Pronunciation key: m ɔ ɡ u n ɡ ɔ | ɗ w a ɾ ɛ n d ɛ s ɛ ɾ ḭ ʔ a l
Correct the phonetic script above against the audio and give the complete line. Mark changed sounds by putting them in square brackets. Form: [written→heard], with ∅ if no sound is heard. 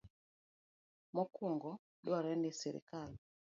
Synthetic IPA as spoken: m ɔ [ɡ→k] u [n→ŋ] ɡ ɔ | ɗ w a ɾ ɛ n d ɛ s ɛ ɾ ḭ [ʔ→k] a l